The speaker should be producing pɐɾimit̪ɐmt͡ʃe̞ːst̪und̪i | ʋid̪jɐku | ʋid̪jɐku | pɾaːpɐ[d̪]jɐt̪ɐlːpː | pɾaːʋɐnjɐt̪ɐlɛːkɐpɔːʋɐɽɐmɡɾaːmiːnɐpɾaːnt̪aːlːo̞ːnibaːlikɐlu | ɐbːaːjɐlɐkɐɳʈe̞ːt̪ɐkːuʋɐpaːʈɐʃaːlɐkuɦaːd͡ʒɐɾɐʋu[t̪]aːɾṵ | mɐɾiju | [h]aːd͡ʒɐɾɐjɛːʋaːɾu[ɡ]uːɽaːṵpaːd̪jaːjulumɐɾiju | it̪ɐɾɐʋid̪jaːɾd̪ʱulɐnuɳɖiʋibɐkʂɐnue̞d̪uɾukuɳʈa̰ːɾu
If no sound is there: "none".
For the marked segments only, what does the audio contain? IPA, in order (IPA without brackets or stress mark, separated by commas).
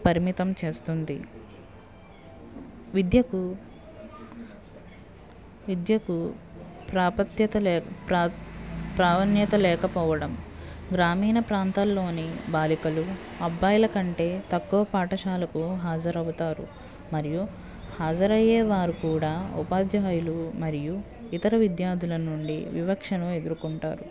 t̪, t̪, h, k